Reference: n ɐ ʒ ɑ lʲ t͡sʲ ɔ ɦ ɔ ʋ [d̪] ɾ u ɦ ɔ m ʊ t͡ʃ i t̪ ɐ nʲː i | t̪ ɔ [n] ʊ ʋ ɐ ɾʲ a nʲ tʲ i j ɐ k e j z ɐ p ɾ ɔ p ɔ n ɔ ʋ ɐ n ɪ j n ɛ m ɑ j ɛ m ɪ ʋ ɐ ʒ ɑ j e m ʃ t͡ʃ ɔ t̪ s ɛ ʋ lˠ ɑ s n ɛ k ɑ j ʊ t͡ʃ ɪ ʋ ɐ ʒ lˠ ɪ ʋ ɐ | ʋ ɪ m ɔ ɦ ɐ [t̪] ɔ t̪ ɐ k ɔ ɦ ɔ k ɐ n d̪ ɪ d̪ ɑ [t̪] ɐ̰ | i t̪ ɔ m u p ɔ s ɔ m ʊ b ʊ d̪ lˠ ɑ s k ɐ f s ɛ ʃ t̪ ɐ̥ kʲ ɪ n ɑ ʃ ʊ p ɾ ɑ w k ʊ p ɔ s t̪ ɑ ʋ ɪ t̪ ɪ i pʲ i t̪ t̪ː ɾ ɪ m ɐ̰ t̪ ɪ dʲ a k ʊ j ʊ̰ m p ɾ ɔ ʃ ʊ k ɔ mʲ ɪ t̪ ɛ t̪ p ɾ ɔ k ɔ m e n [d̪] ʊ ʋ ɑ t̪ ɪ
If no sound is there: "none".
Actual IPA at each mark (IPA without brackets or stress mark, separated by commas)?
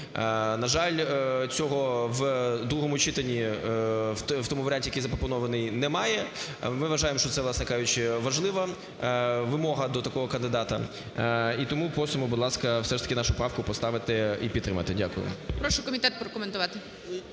d̪, m, d̪, t̪, t̪